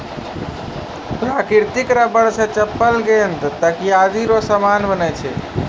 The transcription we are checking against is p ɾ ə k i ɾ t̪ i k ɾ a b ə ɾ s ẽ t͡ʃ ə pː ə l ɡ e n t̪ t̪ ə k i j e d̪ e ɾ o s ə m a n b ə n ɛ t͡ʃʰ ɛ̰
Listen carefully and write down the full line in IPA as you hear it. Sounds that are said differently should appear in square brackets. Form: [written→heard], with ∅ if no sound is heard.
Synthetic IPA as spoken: p ɾ [ə→a] k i ɾ t̪ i k ɾ a b ə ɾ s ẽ t͡ʃ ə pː ə l ɡ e n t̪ t̪ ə k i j [e→a] d̪ [e→i] ɾ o s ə m a n b ə n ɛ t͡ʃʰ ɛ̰